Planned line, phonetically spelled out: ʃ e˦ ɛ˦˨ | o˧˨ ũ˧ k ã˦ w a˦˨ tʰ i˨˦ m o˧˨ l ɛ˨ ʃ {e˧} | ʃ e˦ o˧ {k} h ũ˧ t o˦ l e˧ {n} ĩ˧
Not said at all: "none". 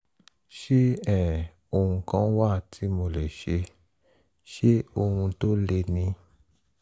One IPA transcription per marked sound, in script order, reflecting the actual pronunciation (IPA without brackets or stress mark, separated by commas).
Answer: e˧, none, n